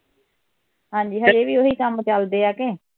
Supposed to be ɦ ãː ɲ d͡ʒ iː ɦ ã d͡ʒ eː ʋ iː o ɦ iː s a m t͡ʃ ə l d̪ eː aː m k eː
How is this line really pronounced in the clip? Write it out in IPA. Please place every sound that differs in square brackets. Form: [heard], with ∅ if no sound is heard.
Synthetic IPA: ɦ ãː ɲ d͡ʒ iː ɦ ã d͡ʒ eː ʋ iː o ɦ iː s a m t͡ʃ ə l d̪ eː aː [∅] k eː